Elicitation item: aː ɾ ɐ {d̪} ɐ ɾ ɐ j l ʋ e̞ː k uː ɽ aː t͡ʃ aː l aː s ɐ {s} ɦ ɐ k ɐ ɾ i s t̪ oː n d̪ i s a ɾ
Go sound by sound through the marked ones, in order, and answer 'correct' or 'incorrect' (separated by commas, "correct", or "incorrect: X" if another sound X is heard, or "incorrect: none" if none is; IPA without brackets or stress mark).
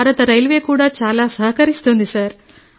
incorrect: t̪, incorrect: none